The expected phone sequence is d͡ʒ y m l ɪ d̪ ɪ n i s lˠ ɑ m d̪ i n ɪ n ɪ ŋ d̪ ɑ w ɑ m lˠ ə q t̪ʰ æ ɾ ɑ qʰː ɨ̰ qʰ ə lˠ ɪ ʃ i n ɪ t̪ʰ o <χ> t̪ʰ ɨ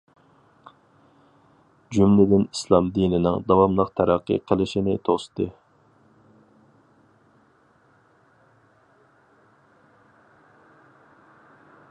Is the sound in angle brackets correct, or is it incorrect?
incorrect